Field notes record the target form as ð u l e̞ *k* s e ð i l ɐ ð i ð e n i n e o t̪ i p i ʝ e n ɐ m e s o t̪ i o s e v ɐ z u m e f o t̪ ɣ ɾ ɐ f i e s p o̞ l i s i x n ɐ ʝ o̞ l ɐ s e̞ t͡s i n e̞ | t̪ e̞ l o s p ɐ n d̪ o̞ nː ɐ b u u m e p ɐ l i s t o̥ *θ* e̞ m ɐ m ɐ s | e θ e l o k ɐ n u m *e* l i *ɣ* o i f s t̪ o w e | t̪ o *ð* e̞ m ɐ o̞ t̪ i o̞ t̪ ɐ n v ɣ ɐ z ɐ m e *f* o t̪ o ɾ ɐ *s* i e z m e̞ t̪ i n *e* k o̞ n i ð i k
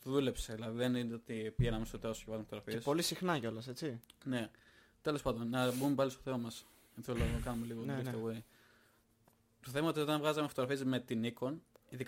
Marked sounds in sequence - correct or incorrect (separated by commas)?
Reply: incorrect, correct, correct, correct, incorrect, correct, incorrect, incorrect